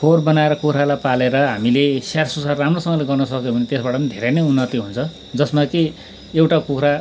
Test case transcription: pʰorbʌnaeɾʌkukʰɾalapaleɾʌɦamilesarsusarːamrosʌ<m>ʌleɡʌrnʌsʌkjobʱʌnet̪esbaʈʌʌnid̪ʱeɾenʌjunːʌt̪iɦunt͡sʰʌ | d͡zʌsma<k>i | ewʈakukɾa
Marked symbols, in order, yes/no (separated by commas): no, yes